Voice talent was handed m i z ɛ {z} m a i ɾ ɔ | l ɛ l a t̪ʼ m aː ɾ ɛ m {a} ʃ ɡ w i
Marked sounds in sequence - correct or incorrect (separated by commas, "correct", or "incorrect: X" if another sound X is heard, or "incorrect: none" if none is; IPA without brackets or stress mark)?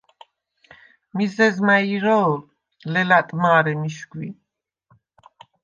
correct, incorrect: i